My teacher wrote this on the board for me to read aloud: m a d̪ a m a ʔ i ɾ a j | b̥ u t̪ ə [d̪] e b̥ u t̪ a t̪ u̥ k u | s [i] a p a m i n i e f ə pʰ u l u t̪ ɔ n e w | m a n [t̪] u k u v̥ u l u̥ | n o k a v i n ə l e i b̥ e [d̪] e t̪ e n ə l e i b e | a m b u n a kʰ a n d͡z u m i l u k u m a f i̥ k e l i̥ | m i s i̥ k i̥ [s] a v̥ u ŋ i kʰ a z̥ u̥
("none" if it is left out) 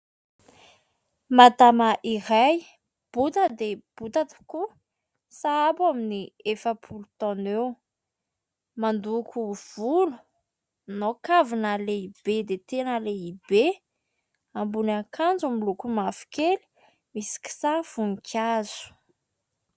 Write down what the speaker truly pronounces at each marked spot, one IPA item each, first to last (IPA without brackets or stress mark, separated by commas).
d̪, a, d̪, d̪, s